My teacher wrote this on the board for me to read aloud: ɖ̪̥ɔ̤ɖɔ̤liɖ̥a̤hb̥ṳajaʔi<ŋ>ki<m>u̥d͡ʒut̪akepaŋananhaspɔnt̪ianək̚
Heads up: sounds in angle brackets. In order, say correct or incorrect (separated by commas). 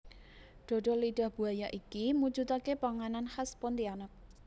incorrect, correct